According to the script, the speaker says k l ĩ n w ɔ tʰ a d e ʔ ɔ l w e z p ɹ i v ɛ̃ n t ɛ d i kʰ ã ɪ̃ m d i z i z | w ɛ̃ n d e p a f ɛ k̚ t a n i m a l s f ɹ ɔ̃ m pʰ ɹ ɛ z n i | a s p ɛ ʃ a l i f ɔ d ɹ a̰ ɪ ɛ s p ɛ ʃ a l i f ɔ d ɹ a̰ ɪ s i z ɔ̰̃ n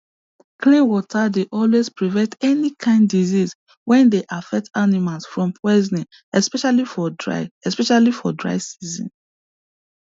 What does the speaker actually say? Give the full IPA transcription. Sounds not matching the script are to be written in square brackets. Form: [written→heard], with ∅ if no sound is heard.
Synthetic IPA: k l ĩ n w ɔ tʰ a d e ʔ ɔ l w e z p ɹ i v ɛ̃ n t ɛ [d→n] i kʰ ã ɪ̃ [m→n] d i z i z | w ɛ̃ n d e [p→ʔ] a f ɛ k̚ t a n i m a l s f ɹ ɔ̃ m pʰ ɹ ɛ z n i | [a→ɛ] s p ɛ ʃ a l i f ɔ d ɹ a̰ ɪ ɛ s p ɛ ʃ a l i f ɔ d ɹ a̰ ɪ s i z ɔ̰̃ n

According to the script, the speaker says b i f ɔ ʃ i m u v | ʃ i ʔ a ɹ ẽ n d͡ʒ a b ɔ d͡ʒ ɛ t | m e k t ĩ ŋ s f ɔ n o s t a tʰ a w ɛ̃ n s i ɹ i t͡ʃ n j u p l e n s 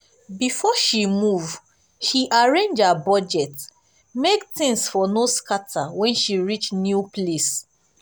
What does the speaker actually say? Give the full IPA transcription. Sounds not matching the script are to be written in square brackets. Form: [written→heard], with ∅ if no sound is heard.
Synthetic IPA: b i f ɔ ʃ i m u v | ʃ i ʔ a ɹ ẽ n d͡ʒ a b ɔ d͡ʒ ɛ t | m e k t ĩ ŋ s f ɔ n o s [t→k] a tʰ a w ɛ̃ n [s→ʃ] i ɹ i t͡ʃ n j u p l e [n→∅] s

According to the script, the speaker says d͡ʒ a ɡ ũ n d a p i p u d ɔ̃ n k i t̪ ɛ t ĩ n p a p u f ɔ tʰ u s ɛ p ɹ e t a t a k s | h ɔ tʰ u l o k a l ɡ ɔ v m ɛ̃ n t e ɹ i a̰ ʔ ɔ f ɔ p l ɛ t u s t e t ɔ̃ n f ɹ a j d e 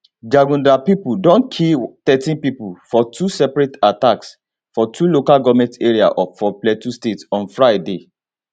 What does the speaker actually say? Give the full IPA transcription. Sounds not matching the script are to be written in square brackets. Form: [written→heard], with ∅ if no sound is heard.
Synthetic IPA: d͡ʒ a ɡ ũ n d a p i p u d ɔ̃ n [k→kʰ] i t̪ ɛ t ĩ n p [a→i] p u f ɔ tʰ u s ɛ p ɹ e t a t a k s | [h→f] ɔ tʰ u l o k a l ɡ ɔ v m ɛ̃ n t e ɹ i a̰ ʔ ɔ f ɔ p l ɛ t u s t e t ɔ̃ n f ɹ a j d e

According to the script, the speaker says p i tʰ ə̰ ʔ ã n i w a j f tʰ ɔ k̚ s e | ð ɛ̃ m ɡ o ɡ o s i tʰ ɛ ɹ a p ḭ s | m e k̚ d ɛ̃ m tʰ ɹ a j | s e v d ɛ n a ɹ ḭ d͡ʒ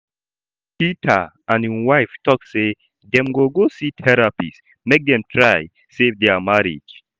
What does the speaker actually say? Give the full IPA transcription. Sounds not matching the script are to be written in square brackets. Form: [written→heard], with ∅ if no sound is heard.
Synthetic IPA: p i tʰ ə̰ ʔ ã n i w a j f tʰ ɔ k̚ s e | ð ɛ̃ m ɡ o ɡ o s i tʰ ɛ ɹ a p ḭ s | m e k̚ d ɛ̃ m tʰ ɹ a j | s e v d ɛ [n→m] a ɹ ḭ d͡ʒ

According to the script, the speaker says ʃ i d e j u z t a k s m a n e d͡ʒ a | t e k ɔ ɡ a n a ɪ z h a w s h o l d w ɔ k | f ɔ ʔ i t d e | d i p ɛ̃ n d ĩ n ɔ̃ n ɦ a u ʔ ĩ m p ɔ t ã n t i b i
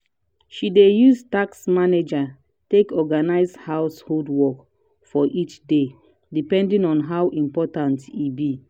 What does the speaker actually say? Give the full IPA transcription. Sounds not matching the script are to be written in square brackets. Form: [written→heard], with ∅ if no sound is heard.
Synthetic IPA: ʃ i d e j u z t a k s m a n e d͡ʒ a | t e k ɔ ɡ a n a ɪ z h a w s h o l d w ɔ k | f ɔ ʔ i [t→t͡ʃ] d e | d i p ɛ̃ n d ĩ n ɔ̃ n ɦ a [u→w] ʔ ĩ m p ɔ t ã n t i b i

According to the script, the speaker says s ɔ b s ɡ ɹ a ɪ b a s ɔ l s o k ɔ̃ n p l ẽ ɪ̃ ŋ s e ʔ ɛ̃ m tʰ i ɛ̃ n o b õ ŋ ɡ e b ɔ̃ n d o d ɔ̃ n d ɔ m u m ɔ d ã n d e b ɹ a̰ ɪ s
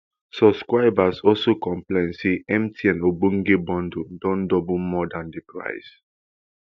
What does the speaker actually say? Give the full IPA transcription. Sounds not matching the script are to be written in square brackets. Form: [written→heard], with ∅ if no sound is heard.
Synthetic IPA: s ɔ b s [ɡ→k] ɹ a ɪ b a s ɔ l s o k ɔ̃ [n→m] p l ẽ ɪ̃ [ŋ→n] s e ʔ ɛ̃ m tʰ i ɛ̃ n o b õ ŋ ɡ e b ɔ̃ n d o d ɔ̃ n d ɔ [m→b] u m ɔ d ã n d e [b→p] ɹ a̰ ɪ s

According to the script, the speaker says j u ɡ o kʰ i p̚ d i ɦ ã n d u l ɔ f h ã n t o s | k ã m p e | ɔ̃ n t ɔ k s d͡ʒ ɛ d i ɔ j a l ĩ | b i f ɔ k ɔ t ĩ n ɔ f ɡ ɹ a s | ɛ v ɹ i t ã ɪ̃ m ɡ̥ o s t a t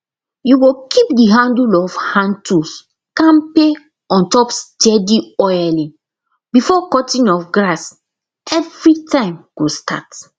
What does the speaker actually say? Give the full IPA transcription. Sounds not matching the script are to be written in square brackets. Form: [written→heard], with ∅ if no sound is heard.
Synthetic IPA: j u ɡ o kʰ i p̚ d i ɦ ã n d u l ɔ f h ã n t [o→u] s | k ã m p e | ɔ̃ n t ɔ [k→p] s d͡ʒ ɛ d i ɔ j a l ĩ | b i f ɔ k ɔ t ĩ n ɔ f ɡ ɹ a s | ɛ v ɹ i t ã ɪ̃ m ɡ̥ o s t a t

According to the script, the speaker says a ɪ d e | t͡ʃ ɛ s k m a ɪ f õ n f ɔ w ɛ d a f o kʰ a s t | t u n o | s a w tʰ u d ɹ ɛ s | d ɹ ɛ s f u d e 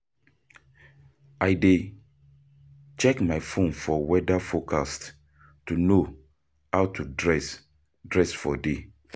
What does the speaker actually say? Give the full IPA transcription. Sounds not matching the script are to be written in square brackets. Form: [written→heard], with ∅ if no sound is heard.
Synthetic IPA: a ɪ d e | t͡ʃ ɛ [s→∅] k m a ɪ f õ n f ɔ w ɛ d a f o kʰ a s t | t u n o | [s→h] a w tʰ u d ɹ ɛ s | d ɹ ɛ s f [u→ɔ] d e

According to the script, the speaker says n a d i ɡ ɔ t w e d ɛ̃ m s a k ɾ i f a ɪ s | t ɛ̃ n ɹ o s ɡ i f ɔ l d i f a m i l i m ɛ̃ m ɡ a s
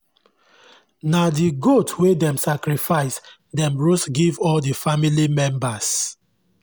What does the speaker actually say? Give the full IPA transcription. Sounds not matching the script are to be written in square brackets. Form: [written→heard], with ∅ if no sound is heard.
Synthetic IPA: n a d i ɡ [ɔ→o] t w e d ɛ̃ m s a k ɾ i f a ɪ s | [t→d] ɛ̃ [n→m] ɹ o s ɡ i [f→v] ɔ l d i f a m i l i m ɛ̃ m [ɡ→b] a s

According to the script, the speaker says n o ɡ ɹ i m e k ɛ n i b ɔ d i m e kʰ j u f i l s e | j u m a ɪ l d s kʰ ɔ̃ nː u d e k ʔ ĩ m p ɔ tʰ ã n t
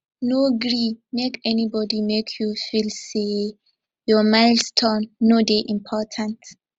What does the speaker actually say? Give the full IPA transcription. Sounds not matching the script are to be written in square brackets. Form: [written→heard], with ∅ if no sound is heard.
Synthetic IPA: n o ɡ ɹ i m e k ɛ n i b ɔ d i m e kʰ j u f i l s e | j [u→ɔ] m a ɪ l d s [kʰ→tʰ] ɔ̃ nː [u→o] d e [k→∅] ʔ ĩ m [p→pʰ] ɔ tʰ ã n t

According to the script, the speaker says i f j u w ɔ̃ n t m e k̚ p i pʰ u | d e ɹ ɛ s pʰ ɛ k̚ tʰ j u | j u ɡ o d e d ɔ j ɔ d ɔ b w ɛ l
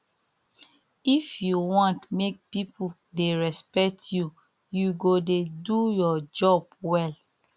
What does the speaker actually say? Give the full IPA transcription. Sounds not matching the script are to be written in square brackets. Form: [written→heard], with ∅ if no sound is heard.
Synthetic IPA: i f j u w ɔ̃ n t m e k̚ p i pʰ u | d e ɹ ɛ s [pʰ→p] ɛ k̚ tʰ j u | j u ɡ o d e d [ɔ→u] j ɔ [d→d͡ʒ] ɔ b w ɛ l

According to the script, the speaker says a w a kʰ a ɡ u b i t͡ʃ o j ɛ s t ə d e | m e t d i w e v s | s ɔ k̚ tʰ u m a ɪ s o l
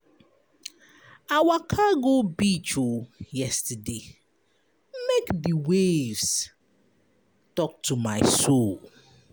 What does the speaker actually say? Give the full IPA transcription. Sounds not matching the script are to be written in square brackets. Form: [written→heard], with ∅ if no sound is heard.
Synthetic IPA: a w a kʰ a ɡ [u→o] b i t͡ʃ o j ɛ s t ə d e | m e [t→k] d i w e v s | [s→t] ɔ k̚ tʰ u m a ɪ s o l

